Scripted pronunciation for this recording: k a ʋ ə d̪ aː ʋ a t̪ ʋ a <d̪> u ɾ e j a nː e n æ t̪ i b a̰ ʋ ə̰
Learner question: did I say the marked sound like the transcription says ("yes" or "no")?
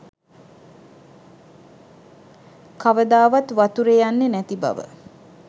no